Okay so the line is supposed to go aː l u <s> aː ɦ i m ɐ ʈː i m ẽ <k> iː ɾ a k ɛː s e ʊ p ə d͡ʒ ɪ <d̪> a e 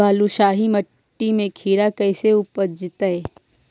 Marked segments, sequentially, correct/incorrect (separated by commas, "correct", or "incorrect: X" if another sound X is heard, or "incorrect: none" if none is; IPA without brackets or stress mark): incorrect: ʃ, incorrect: kʰ, incorrect: t̪